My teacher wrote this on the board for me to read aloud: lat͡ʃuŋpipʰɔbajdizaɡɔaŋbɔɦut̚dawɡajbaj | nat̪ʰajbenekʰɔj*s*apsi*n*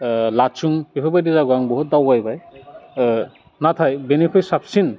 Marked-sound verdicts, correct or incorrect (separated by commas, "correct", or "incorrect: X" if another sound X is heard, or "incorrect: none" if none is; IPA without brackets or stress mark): correct, correct